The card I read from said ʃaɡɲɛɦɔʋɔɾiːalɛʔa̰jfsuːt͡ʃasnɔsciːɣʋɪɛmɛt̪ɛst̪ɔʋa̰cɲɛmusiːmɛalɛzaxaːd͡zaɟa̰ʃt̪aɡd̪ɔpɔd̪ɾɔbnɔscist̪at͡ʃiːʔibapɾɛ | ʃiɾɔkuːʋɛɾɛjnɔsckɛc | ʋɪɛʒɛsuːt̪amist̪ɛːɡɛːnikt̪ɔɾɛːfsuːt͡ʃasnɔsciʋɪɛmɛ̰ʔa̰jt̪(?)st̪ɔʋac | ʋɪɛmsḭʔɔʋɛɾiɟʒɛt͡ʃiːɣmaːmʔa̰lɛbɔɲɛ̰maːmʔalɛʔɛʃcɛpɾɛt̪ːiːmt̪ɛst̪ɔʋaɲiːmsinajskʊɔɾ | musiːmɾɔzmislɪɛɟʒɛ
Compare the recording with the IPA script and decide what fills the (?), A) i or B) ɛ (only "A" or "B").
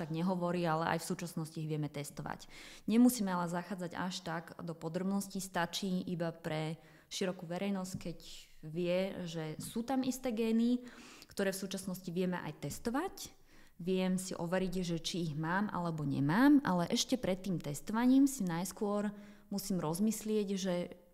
B